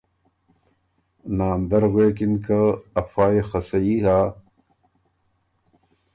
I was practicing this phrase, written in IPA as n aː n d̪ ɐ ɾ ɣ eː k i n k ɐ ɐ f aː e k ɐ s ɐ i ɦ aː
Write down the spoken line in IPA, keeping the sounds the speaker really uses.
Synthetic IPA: n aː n d̪ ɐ ɾ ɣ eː k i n k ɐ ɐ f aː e x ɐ s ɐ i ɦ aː